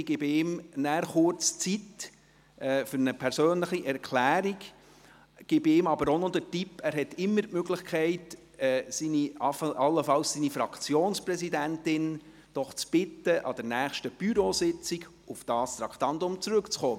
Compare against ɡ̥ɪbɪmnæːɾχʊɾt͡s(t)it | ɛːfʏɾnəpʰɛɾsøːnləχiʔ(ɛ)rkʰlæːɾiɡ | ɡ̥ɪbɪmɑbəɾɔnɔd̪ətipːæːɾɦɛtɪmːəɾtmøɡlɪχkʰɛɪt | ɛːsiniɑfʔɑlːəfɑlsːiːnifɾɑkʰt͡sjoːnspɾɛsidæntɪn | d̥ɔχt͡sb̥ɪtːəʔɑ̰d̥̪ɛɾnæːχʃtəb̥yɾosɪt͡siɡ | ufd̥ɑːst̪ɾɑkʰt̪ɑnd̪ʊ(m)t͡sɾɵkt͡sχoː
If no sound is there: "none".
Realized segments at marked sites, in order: t͡s, ɛ, m

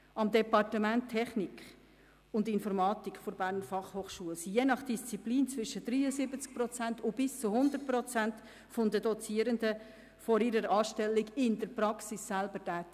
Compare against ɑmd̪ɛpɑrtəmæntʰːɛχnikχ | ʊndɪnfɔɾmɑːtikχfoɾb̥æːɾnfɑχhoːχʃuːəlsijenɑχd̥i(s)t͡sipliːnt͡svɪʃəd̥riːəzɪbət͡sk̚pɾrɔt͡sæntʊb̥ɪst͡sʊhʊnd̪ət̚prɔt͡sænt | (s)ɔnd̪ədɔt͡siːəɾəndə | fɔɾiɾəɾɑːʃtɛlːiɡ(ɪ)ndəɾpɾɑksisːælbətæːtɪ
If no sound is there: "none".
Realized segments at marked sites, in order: s, f, ɪ

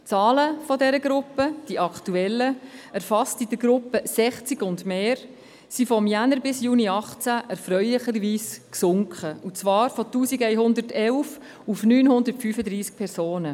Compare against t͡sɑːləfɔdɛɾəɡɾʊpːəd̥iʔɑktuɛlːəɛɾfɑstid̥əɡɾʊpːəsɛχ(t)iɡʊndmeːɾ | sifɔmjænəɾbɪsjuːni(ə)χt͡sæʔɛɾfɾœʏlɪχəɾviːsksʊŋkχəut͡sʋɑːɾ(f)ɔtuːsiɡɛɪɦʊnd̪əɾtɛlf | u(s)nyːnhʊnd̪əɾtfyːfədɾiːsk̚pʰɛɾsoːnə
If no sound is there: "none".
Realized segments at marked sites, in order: t͡s, ɑ, f, f

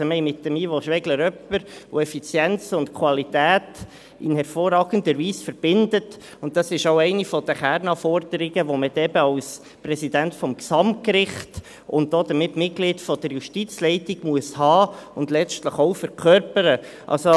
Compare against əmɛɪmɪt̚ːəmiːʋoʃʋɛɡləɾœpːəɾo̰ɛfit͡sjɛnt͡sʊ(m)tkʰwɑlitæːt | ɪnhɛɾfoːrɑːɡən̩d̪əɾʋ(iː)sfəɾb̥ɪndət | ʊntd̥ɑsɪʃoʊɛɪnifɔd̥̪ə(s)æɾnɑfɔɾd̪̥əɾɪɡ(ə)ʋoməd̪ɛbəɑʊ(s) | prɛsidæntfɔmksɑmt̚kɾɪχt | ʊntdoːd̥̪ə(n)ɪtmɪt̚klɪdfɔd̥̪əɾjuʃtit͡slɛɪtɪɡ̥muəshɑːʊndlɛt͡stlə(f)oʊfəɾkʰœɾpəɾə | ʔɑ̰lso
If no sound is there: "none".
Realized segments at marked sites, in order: n, iː, χ, ə, s, m, χ

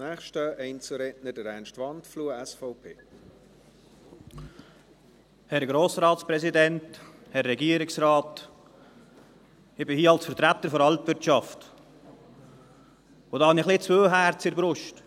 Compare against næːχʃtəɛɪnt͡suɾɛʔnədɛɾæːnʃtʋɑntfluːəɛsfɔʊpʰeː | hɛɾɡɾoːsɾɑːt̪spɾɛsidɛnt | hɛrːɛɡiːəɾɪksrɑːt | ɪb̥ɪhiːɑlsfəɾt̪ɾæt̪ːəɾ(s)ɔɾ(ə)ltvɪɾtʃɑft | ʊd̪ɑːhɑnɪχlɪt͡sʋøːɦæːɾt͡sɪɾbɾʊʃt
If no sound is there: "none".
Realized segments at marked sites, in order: f, ɑ

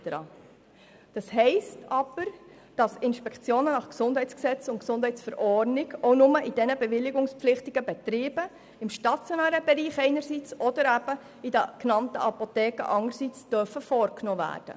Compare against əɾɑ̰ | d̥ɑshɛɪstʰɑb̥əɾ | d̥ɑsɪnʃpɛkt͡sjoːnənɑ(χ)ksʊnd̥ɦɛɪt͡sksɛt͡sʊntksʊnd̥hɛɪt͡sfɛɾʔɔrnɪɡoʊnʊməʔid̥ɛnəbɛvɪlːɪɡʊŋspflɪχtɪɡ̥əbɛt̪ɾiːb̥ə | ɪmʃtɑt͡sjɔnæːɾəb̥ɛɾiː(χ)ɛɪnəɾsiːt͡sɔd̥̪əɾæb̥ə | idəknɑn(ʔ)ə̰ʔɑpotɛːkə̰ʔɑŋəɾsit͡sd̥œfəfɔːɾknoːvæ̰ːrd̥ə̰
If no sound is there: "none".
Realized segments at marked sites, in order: χ, χ, t

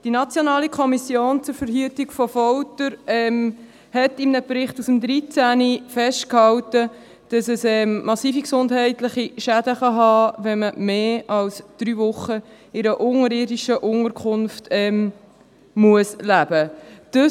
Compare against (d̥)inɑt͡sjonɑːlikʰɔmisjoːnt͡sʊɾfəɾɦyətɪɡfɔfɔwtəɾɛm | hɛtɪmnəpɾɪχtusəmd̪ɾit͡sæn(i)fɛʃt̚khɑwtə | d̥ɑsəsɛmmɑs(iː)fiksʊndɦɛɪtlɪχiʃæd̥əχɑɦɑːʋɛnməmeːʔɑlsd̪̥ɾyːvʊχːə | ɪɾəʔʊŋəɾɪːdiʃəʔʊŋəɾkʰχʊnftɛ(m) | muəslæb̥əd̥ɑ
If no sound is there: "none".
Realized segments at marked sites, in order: d̥, i, iː, m

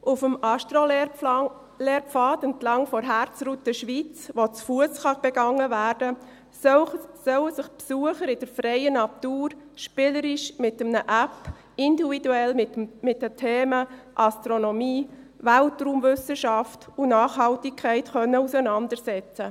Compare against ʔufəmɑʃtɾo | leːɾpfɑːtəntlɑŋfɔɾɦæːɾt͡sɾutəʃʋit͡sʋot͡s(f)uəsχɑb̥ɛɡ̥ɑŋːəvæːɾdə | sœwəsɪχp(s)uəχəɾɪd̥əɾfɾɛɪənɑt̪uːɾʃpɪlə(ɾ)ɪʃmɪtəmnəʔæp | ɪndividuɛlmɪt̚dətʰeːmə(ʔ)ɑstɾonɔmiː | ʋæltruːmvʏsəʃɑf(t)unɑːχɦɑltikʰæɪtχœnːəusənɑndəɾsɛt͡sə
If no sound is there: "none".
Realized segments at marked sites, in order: f, s, ɾ, ʔ, t

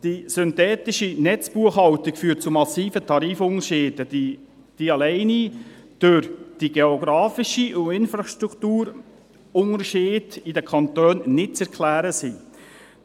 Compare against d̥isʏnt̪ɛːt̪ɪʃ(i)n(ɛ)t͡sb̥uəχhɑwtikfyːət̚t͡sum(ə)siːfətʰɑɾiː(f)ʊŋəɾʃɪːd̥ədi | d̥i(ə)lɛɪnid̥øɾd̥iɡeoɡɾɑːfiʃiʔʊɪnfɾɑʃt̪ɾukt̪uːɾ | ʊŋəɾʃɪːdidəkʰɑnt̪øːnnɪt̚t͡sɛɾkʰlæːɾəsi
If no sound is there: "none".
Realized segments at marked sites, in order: i, ɛ, ɑ, f, ɑ

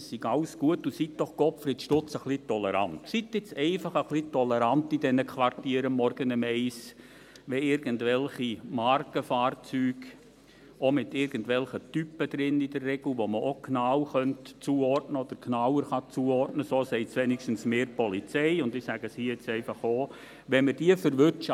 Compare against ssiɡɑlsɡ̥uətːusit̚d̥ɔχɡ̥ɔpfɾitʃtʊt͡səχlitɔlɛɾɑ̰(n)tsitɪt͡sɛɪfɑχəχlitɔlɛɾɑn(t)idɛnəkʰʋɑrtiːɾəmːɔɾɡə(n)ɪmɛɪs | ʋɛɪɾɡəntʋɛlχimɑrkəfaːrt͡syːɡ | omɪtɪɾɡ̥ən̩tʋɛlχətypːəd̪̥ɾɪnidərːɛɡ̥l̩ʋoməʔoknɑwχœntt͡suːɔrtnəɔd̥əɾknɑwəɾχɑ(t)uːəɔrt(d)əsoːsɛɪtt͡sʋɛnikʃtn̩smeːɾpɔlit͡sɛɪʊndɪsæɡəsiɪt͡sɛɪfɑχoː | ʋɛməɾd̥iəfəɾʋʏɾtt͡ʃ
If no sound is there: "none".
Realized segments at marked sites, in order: n, t, n, t͡s, n

